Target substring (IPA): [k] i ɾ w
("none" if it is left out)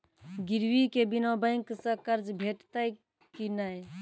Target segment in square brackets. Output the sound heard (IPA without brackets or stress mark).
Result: ɡ